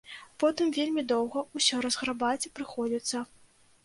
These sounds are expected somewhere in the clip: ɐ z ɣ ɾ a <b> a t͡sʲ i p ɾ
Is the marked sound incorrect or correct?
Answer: correct